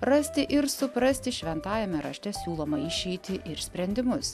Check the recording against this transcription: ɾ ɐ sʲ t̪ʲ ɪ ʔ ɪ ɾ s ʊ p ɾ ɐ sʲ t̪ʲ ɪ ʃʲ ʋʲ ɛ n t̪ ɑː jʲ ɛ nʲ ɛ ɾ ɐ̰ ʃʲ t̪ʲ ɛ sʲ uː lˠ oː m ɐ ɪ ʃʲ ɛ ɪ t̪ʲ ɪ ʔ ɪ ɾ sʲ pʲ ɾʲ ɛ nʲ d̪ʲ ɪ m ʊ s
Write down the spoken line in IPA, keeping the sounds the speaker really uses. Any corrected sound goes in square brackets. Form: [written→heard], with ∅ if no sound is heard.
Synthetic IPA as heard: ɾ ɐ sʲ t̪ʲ ɪ ʔ ɪ ɾ s ʊ p ɾ ɐ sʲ t̪ʲ ɪ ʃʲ ʋʲ ɛ n t̪ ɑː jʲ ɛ [nʲ→mʲ] ɛ ɾ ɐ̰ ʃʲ t̪ʲ ɛ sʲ uː lˠ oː m ɐ ɪ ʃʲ ɛ ɪ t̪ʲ ɪ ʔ ɪ ɾ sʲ pʲ ɾʲ ɛ nʲ d̪ʲ ɪ m ʊ s